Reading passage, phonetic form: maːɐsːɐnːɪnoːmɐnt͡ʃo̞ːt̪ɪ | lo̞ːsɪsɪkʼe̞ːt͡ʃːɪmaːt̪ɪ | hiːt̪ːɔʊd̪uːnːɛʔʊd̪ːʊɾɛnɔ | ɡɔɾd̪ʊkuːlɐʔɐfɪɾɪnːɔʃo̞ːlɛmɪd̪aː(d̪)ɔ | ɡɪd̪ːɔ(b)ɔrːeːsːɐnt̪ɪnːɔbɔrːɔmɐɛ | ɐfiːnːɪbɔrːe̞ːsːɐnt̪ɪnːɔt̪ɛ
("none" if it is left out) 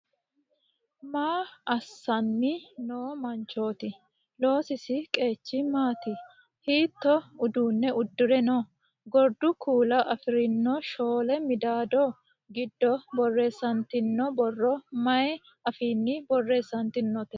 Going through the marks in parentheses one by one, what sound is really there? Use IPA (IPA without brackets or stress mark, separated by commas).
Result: d̪, b